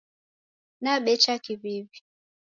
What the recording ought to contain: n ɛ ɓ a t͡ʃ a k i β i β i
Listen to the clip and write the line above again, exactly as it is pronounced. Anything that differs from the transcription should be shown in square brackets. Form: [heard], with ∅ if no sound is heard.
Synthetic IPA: n [a] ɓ [ɛ] t͡ʃ a k i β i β i